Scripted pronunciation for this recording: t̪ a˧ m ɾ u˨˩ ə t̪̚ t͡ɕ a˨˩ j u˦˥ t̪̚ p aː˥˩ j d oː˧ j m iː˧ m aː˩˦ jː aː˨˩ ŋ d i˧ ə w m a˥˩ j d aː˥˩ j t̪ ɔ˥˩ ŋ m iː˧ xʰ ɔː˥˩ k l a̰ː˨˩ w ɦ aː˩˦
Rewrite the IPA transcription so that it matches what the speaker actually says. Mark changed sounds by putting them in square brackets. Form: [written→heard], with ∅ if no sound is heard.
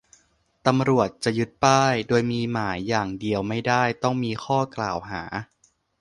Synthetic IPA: t̪ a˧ m ɾ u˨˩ ə t̪̚ t͡ɕ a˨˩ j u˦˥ t̪̚ p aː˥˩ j d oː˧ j m iː˧ m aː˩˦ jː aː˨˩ ŋ d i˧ ə w m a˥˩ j d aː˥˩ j t̪ ɔ˥˩ ŋ m iː˧ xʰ ɔː˥˩ k l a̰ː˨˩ w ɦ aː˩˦

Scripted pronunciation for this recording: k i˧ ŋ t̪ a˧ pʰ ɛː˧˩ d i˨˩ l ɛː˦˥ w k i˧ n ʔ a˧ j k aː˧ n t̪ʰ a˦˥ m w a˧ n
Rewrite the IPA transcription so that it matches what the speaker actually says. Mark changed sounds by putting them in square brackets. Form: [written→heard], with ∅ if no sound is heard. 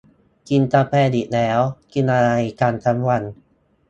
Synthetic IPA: k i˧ [ŋ→n] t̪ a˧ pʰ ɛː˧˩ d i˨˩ l ɛː˦˥ w k i˧ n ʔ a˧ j k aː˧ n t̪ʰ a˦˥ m w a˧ n

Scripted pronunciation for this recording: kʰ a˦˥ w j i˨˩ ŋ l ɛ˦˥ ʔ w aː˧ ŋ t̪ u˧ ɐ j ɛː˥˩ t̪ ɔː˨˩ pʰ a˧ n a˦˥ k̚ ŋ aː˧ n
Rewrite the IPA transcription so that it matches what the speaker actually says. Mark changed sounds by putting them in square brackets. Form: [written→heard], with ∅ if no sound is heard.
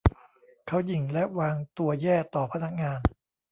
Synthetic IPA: kʰ a˦˥ w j i˨˩ ŋ l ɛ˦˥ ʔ w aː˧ ŋ t̪ u˧ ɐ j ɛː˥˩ t̪ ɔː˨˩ pʰ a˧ n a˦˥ k̚ ŋ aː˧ n

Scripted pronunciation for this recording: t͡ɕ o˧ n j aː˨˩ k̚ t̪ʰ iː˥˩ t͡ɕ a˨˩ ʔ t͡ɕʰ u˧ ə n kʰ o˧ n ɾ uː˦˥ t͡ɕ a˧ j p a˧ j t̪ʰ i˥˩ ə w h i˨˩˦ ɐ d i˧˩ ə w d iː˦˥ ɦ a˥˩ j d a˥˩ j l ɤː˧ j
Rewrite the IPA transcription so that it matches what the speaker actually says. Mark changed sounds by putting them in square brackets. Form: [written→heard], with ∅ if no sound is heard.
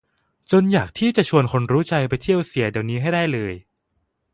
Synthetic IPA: t͡ɕ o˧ n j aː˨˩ k̚ t̪ʰ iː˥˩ t͡ɕ a˨˩ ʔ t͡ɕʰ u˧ ə n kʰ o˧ n ɾ uː˦˥ t͡ɕ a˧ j p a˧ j t̪ʰ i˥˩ ə w [h→s] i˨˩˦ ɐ d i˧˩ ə w [d→n] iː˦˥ ɦ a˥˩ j d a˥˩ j l ɤː˧ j

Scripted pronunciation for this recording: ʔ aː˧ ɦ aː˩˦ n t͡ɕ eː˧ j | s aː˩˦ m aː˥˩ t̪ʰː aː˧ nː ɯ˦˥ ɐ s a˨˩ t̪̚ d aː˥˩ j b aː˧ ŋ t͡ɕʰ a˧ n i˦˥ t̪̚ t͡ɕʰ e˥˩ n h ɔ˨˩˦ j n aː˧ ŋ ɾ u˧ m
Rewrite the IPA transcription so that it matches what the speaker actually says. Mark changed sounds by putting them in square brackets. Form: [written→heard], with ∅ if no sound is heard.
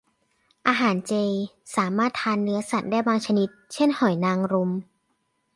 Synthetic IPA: ʔ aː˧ ɦ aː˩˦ n t͡ɕ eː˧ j | s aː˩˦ m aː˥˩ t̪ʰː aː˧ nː ɯ˦˥ ɐ s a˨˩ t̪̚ d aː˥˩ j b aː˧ ŋ t͡ɕʰ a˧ n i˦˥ t̪̚ t͡ɕʰ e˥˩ n h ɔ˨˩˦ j n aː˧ ŋ ɾ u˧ m

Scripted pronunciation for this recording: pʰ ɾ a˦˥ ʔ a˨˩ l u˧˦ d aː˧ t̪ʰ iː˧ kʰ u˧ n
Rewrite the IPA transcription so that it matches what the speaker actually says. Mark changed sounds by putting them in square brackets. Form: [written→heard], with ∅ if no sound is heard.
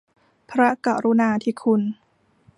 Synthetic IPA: pʰ ɾ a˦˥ [ʔ→k] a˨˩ [l→ɾ] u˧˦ [d→n] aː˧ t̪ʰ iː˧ kʰ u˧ n

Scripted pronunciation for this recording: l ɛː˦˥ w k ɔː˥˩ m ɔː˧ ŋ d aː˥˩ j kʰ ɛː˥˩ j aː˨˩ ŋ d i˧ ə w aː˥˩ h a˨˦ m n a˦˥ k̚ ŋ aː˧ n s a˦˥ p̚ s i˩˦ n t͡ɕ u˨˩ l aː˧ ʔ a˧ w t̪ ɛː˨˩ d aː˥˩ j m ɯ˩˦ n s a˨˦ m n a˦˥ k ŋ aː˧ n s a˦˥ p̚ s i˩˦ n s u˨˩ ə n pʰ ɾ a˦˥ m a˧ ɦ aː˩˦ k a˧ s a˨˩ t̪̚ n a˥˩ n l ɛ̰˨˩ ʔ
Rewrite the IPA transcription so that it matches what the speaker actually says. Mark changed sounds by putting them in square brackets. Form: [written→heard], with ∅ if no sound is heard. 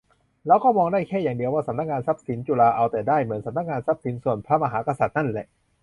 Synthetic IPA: l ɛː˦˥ w k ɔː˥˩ m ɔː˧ ŋ d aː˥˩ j kʰ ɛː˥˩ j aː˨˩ ŋ d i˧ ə w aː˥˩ [h→s] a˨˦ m n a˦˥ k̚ ŋ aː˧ n s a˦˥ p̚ s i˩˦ n t͡ɕ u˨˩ l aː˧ ʔ a˧ w t̪ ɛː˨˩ d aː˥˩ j m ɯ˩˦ n s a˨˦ m n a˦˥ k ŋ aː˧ n s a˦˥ p̚ s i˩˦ n s u˨˩ ə n pʰ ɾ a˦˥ m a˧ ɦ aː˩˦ k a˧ s a˨˩ t̪̚ n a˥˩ n l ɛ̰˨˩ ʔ

